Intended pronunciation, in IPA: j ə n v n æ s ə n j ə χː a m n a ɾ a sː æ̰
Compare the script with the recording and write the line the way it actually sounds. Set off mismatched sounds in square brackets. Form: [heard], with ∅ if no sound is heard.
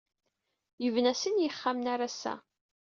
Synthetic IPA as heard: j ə [∅] v n æ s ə n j ə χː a m n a ɾ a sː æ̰